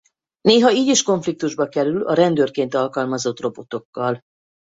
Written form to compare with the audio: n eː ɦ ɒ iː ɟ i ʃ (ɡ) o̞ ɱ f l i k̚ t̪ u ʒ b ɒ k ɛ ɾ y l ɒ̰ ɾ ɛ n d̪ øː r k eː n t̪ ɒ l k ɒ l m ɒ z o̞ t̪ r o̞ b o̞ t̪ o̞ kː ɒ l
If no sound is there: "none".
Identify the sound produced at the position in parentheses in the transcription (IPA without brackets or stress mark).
k